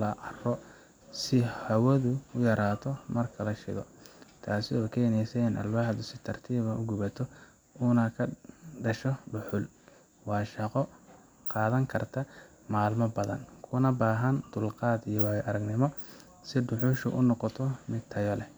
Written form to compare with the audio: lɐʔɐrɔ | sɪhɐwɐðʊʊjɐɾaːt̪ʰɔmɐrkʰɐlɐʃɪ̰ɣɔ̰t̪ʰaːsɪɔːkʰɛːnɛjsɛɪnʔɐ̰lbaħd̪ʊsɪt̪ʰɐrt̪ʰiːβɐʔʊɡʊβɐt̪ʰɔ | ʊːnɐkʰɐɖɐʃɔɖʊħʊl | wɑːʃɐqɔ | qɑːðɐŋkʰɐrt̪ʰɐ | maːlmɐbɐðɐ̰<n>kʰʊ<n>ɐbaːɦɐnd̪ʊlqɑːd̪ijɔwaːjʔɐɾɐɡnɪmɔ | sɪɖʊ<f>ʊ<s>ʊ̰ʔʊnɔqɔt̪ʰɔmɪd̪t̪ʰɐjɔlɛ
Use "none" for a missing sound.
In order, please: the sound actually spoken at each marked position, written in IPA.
n, n, ħ, ʃ

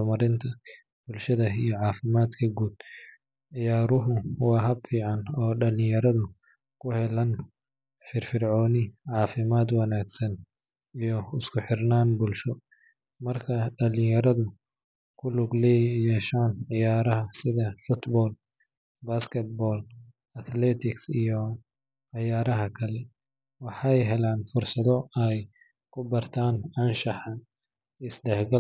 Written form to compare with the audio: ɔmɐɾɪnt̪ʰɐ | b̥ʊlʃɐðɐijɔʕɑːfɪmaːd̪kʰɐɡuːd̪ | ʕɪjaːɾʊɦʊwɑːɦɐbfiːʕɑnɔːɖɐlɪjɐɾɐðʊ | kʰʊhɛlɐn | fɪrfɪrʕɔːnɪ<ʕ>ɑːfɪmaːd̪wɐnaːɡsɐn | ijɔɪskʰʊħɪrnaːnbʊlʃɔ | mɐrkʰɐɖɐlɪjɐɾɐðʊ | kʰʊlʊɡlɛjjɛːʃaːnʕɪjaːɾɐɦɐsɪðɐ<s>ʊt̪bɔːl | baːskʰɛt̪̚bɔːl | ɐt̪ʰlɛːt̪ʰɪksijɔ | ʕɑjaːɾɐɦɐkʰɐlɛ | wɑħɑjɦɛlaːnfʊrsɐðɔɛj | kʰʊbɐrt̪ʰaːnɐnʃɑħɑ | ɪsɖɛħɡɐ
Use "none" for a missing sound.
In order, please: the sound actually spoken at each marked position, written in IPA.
ʕ, f

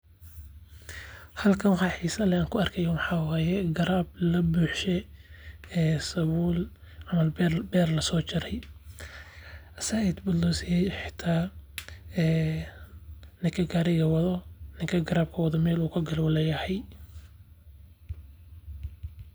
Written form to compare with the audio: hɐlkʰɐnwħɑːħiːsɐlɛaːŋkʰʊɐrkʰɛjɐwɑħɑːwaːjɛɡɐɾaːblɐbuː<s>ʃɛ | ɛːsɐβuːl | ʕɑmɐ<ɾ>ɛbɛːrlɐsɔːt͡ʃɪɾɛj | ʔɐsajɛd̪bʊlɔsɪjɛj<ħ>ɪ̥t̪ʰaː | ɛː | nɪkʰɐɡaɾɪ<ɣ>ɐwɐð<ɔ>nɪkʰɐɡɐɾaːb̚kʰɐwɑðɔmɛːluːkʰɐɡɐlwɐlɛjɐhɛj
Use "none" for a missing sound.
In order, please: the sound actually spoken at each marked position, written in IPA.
ħ, l, ħ, ɣ, ɔ

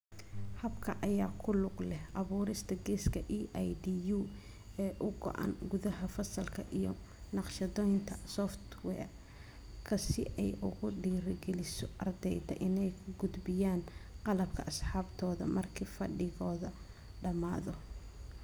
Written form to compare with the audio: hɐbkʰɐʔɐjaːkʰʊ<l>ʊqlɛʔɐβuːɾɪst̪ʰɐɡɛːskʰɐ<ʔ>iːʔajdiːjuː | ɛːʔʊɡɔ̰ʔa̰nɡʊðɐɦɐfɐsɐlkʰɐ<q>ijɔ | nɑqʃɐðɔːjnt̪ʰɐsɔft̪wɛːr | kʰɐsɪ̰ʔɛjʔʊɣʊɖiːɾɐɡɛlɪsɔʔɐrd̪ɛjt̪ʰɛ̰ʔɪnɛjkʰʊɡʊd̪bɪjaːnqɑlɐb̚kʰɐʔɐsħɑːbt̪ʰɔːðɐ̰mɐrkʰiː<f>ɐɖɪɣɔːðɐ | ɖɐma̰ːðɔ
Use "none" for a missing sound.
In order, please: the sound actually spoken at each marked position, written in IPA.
l, ʔ, ʔ, f

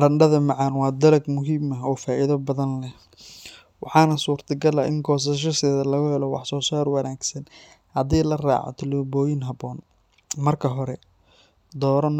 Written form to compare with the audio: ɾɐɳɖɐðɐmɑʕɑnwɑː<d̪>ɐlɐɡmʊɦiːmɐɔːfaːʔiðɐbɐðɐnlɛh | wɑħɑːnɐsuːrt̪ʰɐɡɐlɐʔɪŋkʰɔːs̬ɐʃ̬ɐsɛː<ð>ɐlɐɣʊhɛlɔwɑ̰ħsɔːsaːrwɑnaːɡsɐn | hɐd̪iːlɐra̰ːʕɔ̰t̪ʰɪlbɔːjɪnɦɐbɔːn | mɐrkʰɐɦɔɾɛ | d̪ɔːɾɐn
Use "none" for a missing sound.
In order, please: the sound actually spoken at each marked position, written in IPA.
d̪, ð

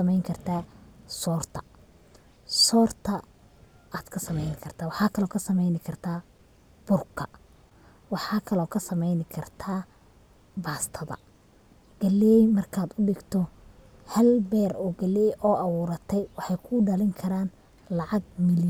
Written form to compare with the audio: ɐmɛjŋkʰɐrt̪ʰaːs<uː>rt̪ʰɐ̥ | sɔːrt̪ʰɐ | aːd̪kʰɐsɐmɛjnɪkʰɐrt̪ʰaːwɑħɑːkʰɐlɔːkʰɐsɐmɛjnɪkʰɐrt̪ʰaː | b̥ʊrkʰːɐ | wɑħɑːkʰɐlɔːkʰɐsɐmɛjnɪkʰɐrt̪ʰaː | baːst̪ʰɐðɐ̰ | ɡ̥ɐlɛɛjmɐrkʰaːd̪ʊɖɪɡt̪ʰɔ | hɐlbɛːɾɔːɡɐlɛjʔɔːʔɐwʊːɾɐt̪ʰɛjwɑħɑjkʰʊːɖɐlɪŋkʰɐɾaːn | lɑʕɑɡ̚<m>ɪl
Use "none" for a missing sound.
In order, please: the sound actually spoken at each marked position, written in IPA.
ɔː, m

